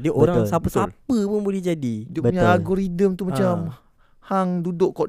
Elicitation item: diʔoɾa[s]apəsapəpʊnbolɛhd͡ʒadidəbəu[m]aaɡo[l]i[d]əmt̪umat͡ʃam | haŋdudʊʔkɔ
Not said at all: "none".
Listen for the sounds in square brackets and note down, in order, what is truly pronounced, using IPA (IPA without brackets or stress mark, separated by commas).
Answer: s, ɲ, ɾ, d